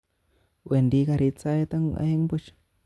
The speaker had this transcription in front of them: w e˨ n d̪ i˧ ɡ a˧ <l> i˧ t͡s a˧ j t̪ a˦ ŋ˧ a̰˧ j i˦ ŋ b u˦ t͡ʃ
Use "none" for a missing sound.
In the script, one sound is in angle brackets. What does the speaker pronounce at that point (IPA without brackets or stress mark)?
ɾ